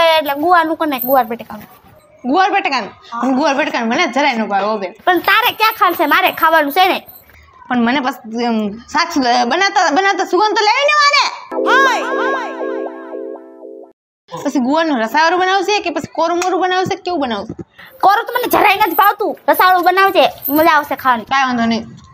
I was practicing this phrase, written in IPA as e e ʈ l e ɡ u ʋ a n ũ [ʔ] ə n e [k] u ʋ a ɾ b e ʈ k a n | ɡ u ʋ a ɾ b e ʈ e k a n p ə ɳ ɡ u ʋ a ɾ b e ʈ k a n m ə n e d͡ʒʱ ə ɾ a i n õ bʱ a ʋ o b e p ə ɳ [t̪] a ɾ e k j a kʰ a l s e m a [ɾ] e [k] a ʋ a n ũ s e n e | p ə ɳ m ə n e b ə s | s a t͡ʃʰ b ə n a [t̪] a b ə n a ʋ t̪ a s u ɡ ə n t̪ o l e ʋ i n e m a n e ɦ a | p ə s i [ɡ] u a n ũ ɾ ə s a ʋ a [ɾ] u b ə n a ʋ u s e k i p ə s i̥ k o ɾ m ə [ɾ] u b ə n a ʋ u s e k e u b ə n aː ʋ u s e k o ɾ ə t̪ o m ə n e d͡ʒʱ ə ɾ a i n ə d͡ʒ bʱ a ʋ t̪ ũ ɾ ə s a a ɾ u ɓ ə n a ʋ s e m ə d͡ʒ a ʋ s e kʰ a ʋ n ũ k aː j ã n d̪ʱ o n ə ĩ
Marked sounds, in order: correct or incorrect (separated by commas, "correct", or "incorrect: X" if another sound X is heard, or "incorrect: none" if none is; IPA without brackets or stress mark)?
incorrect: k, incorrect: ɡ, correct, correct, incorrect: kʰ, correct, correct, correct, correct